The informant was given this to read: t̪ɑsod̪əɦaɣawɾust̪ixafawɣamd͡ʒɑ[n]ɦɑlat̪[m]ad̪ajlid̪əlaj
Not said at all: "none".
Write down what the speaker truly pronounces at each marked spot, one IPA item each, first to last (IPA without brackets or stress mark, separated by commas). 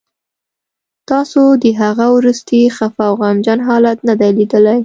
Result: n, n